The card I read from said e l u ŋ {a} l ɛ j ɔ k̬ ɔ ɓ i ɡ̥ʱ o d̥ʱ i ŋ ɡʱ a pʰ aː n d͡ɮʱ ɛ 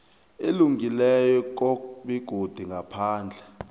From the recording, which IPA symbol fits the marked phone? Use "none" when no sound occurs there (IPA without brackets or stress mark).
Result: i